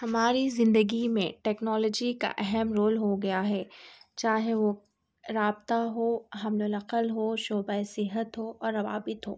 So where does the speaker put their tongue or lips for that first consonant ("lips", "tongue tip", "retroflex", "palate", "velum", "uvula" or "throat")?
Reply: throat